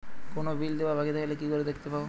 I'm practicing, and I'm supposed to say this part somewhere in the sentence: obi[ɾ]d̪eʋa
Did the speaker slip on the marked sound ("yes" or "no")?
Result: yes